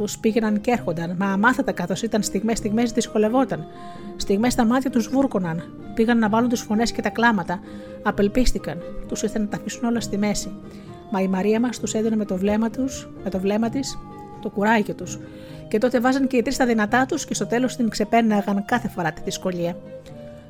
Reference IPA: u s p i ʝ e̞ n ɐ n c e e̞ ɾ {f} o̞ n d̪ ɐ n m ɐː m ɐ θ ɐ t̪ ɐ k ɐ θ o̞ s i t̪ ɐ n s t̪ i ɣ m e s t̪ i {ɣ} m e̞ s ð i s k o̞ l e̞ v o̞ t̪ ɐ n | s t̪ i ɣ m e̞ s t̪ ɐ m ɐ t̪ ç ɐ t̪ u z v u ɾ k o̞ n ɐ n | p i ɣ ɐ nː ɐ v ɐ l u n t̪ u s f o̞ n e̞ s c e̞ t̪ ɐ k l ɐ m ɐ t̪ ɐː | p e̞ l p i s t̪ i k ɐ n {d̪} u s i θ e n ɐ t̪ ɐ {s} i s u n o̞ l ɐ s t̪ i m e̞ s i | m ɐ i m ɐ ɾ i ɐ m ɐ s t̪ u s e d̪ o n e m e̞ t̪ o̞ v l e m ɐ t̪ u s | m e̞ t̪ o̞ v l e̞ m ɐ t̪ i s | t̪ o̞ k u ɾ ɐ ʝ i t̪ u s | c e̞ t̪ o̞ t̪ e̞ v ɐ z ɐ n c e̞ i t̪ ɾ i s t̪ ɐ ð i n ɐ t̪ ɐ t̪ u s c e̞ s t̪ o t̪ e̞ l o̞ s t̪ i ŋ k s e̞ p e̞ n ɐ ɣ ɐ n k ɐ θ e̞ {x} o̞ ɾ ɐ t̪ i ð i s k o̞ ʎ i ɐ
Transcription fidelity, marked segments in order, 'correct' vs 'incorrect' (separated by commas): incorrect, correct, incorrect, incorrect, incorrect